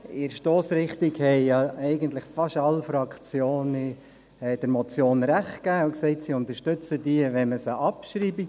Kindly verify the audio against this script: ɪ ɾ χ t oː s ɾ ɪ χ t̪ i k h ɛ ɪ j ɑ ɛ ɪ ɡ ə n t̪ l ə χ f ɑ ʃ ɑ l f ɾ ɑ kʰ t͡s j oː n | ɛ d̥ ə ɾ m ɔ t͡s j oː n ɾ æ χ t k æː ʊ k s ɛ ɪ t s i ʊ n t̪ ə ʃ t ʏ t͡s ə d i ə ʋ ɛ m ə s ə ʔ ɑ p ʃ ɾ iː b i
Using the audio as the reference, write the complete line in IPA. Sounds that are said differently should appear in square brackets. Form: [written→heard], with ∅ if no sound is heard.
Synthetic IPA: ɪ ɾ [χ→ʃ] t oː s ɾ ɪ χ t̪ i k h ɛ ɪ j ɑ ɛ ɪ ɡ ə n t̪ l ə χ f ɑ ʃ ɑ l f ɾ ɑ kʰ t͡s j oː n | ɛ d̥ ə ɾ m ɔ t͡s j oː n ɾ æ χ t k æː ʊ k s ɛ ɪ t s i ʊ n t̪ ə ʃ t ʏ t͡s ə d i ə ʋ ɛ m ə s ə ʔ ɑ p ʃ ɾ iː b i